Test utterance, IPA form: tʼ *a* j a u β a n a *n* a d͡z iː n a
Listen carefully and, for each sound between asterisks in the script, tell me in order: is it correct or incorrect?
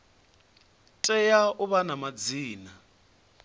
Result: incorrect, incorrect

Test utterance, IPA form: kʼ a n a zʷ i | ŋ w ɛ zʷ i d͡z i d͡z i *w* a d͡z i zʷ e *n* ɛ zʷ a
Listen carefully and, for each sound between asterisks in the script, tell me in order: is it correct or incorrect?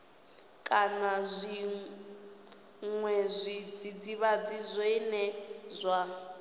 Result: incorrect, correct

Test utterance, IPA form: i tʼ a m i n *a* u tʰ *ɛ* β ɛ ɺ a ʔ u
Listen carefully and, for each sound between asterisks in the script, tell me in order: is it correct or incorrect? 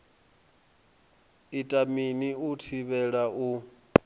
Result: incorrect, incorrect

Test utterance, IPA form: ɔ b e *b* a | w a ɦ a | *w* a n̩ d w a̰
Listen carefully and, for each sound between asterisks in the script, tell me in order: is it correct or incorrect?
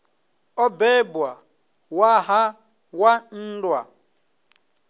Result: correct, correct

